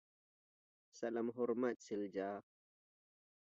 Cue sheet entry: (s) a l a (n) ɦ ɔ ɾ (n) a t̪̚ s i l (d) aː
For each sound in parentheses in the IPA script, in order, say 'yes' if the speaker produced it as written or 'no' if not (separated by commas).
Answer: yes, no, no, no